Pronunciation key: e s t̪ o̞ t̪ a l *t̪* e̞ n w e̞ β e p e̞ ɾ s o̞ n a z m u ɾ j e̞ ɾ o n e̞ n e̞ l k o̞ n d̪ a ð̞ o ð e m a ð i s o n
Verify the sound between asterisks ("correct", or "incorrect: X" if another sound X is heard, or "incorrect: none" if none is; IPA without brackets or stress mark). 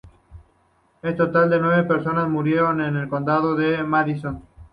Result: incorrect: d̪